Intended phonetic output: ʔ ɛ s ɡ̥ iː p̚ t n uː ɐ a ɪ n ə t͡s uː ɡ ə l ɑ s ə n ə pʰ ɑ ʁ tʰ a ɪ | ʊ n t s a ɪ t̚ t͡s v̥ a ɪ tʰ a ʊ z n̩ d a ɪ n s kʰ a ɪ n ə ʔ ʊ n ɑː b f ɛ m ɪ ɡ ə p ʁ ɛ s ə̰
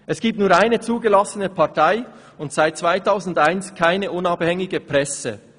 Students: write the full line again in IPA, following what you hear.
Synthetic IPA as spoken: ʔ ɛ s ɡ̥ iː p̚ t n uː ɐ a ɪ n ə t͡s uː ɡ ə l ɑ s ə n ə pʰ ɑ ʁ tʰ a ɪ | ʊ n t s a ɪ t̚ t͡s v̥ a ɪ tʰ a ʊ z n̩ d a ɪ n s kʰ a ɪ n ə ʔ ʊ n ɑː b h ɛ ŋ ɪ ɡ ə p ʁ ɛ s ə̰